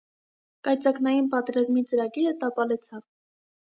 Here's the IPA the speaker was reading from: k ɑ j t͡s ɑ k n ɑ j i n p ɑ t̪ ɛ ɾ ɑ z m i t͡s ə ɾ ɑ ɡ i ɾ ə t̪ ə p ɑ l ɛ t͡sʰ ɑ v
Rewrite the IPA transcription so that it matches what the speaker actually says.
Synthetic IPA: k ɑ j t͡s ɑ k n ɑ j i n p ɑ t̪ ɛ ɾ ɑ z m i t͡s ə ɾ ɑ ɡ i ɾ ə t̪ ɑ p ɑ l ɛ t͡sʰ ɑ v